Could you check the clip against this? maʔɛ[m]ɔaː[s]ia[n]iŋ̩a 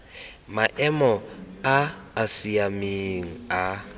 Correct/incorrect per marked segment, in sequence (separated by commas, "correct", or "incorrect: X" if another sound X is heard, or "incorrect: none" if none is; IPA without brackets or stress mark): correct, correct, incorrect: m